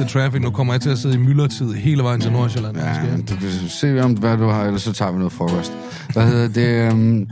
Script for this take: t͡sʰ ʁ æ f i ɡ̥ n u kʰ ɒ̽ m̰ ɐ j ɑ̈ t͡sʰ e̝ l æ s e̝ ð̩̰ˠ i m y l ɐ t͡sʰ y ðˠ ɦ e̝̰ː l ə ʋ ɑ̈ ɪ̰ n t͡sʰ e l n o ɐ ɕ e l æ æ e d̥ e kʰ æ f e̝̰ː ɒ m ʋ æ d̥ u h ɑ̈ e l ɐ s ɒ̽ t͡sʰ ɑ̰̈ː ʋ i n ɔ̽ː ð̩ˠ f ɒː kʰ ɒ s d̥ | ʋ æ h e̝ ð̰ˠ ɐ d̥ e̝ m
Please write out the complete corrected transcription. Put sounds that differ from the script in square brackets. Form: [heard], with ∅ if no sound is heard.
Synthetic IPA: t͡sʰ ʁ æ f i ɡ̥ n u kʰ ɒ̽ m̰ ɐ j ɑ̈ t͡sʰ e̝ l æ s e̝ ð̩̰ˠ i m y l ɐ t͡sʰ [i] ðˠ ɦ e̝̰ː l ə ʋ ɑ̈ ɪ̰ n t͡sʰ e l n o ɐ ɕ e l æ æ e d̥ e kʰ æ [s] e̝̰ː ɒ m ʋ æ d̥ u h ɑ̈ e l ɐ s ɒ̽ t͡sʰ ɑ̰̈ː ʋ i n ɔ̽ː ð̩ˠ f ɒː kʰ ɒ s d̥ | ʋ æ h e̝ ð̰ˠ ɐ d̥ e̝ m